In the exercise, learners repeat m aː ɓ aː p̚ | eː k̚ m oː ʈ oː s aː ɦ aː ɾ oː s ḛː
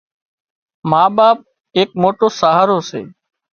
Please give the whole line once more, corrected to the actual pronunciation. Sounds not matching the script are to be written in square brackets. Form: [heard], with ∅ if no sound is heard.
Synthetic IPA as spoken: m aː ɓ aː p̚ | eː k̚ m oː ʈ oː s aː ɦ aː ɾ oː s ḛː

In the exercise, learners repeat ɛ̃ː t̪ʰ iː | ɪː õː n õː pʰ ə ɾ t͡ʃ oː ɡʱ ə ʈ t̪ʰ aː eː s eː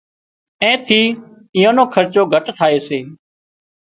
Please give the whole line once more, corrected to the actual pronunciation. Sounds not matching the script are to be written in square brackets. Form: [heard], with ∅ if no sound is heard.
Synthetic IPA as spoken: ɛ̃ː t̪ʰ iː | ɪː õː n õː [kʰ] ə ɾ t͡ʃ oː ɡʱ ə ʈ t̪ʰ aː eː s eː

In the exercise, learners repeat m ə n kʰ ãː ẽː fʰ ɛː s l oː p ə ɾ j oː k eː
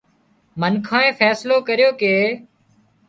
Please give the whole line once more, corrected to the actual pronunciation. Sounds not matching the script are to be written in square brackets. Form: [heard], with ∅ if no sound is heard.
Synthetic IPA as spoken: m ə n kʰ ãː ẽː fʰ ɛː s l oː [k] ə ɾ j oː k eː

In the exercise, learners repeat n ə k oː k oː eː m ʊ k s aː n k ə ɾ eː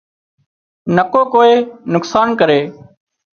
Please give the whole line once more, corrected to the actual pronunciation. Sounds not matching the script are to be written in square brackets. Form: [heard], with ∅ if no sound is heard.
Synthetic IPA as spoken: n ə k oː k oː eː [n] ʊ k s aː n k ə ɾ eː

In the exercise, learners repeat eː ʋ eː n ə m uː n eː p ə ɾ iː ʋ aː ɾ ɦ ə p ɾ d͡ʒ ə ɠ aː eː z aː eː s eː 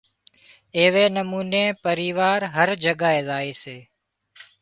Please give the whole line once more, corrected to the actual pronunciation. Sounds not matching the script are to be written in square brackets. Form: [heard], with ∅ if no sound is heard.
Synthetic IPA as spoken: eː ʋ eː n ə m uː n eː p ə ɾ iː ʋ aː ɾ ɦ ə [∅] ɾ d͡ʒ ə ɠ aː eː z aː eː s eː

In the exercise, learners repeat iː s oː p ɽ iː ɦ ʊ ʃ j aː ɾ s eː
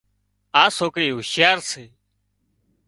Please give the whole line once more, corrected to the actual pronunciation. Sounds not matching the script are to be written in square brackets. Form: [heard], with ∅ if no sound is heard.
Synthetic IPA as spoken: [aː] s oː [k] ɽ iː ɦ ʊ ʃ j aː ɾ s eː

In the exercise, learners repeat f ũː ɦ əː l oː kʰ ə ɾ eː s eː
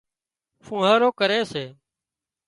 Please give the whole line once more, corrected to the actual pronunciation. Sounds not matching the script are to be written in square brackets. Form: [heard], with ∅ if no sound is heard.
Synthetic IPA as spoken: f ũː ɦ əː [ɾ] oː [k] ə ɾ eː s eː

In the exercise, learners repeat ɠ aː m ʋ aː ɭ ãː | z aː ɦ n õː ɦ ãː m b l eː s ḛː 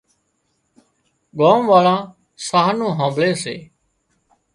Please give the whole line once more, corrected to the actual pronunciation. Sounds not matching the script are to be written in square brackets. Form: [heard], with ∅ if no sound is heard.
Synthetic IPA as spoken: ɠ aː m ʋ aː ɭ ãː | [s] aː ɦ n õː ɦ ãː m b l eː s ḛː

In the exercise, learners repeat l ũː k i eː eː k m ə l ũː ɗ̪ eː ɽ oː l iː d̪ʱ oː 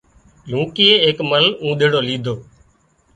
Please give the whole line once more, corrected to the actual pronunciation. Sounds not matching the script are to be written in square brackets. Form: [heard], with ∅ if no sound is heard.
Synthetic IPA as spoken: l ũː k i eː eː k m ə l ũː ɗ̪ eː ɽ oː l iː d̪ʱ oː

